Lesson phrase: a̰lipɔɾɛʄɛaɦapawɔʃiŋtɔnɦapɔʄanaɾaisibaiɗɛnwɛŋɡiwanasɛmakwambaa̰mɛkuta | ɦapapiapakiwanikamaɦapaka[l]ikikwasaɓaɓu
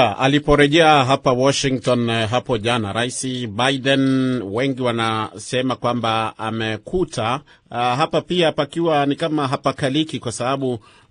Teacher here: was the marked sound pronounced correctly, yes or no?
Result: yes